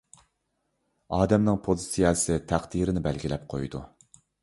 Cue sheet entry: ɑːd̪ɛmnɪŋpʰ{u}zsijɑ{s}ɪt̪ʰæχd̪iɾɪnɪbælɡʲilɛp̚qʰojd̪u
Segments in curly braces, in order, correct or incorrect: incorrect: o, correct

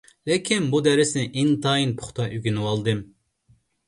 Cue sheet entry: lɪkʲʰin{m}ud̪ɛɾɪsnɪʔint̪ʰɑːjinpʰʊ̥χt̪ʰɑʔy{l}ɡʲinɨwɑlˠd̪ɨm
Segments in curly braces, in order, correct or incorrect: incorrect: b, incorrect: none

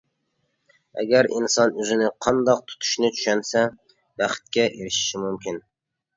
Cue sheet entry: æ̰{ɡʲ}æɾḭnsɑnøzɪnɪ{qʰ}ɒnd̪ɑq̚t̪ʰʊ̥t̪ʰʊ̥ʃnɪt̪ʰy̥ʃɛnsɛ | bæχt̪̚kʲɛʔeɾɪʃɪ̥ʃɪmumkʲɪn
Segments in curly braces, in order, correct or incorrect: correct, correct

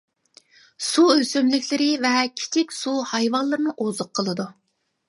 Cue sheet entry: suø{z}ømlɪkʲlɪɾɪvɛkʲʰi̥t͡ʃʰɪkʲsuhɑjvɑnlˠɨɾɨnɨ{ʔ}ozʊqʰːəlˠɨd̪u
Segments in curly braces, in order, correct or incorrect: incorrect: s, correct

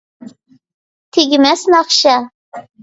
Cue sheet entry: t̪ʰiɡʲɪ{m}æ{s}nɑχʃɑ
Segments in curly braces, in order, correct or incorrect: correct, correct

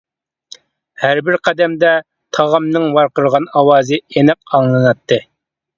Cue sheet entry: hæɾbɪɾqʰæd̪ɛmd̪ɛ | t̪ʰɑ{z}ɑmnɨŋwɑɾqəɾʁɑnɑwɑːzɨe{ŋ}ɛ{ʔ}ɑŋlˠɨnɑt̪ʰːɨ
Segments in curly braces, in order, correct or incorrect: incorrect: ʁ, incorrect: n, incorrect: q

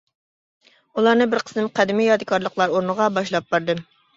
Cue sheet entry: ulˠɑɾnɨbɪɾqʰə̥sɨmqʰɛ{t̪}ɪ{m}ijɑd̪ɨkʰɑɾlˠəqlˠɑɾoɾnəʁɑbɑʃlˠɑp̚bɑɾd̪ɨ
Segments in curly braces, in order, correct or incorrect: incorrect: d̪, correct

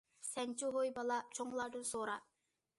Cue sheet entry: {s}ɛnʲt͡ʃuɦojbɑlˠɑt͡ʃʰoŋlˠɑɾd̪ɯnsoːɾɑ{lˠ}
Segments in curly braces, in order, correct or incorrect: correct, incorrect: none

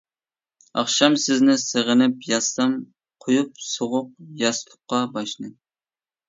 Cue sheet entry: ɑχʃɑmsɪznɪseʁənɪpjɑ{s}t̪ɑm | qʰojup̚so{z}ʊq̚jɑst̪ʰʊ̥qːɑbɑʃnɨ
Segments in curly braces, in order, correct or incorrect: correct, incorrect: ʁ

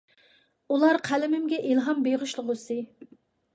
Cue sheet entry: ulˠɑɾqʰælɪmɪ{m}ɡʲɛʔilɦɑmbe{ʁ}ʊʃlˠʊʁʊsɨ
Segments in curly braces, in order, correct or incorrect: correct, correct

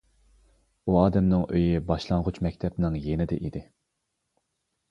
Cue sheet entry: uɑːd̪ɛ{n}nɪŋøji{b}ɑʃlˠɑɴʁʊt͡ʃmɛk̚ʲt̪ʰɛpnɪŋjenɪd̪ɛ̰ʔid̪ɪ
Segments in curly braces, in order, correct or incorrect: incorrect: m, correct

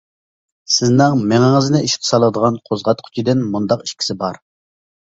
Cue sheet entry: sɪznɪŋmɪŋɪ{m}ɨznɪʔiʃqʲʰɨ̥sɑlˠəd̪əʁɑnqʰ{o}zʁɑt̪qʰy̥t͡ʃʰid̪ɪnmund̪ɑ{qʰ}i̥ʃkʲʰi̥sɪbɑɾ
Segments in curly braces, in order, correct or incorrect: incorrect: ŋ, correct, incorrect: q

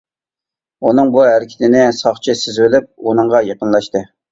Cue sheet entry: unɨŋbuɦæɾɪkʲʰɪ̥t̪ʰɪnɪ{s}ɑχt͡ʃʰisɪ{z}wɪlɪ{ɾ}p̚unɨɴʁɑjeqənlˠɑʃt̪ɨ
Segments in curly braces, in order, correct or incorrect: correct, correct, incorrect: none

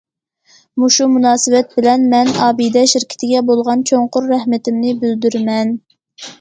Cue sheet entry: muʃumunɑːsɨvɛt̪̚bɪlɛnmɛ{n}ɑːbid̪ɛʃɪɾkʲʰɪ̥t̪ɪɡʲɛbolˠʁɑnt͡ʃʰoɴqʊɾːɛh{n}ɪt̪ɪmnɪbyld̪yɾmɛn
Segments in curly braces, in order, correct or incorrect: correct, incorrect: m

